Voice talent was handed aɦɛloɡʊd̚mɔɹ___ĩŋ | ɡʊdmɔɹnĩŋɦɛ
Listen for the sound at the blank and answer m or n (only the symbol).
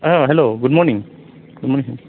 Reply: n